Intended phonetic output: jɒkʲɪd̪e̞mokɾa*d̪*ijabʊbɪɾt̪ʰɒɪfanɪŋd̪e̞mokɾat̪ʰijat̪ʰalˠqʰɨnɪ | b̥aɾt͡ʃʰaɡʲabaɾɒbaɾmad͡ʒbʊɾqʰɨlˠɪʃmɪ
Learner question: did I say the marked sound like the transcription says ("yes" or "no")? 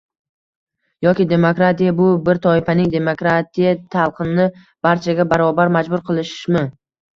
no